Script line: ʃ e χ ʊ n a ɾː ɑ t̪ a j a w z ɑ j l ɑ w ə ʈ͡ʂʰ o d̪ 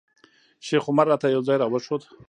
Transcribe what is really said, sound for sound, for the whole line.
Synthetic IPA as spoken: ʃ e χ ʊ m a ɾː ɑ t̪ a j a w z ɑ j ɾ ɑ w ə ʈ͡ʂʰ o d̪